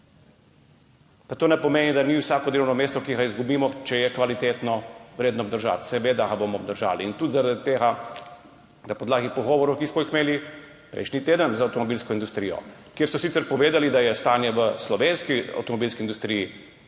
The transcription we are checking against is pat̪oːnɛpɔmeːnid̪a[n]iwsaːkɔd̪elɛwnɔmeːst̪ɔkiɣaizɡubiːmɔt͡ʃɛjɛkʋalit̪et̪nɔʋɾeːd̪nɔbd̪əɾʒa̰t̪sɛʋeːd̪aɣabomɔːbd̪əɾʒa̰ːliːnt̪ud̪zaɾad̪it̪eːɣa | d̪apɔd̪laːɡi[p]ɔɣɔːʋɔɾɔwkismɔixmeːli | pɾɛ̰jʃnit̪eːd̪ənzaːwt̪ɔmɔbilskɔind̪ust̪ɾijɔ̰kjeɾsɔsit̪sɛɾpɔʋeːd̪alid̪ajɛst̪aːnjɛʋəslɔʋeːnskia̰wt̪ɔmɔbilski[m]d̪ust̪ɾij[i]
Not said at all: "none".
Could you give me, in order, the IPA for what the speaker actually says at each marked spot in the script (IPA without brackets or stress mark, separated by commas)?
n, p, n, i